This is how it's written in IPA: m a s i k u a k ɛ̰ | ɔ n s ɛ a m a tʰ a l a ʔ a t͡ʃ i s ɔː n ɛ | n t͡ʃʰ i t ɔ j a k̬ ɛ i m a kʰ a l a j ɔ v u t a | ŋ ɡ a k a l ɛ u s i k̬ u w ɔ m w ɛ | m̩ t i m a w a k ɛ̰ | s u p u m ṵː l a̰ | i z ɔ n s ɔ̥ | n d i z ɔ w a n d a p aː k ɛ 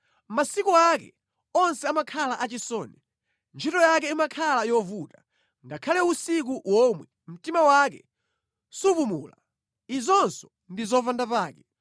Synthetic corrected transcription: m a s i k u a k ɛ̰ | ɔ n s ɛ a m a kʰ a l a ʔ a t͡ʃ i s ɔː n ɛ | n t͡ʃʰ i t ɔ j a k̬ ɛ i m a kʰ a l a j ɔ v u t a | ŋ ɡ a kʰ a l ɛ u s i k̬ u w ɔ m w ɛ | m̩ t i m a w a k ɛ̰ | s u p u m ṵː l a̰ | i z ɔ n s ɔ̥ | n d i z ɔ v a n d a p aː k ɛ